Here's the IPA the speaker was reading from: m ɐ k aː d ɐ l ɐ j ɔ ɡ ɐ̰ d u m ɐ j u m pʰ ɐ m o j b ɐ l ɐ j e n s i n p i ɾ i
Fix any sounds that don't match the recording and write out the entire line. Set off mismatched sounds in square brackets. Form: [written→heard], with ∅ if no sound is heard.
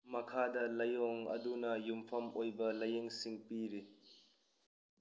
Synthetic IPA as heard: m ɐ [k→kʰ] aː d ɐ l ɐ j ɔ [ɡ→ŋ] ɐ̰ d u [m→n] ɐ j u m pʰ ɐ m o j b ɐ l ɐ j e [n→ŋ] s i [n→ŋ] p i ɾ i

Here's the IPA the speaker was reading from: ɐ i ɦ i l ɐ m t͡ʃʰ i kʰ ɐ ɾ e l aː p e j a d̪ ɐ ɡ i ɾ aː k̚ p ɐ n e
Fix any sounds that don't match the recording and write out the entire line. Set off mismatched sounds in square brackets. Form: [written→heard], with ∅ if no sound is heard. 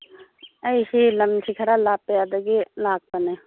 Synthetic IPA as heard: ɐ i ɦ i l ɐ m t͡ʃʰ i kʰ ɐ ɾ [e→a] l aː p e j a d̪ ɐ ɡ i [ɾ→l] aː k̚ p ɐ n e

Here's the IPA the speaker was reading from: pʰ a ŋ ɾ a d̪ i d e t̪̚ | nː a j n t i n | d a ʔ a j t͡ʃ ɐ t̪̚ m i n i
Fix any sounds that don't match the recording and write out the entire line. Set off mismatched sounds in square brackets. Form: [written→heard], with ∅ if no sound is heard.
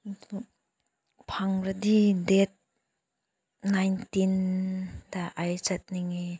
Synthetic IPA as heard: pʰ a ŋ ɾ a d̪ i d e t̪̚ | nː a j n t i n | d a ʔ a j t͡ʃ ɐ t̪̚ [m→n] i [n→ŋ] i

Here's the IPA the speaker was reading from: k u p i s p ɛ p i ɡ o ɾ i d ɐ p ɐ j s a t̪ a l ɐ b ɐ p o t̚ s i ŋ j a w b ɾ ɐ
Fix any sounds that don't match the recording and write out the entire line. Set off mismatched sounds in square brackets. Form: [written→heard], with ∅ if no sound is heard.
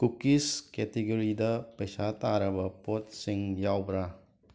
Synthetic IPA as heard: k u [p→k] i s [p→k] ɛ [p→t] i ɡ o ɾ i d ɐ p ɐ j s a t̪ a [l→ɾ] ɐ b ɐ p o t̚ s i ŋ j a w b ɾ [ɐ→a]

